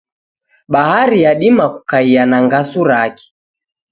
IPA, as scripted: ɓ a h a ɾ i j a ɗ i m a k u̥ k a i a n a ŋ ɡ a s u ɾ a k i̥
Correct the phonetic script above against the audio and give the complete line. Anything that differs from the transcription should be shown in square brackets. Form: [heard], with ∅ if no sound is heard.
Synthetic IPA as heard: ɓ a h a ɾ i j a ɗ i m a k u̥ k a i a n a ŋ ɡ a s u ɾ a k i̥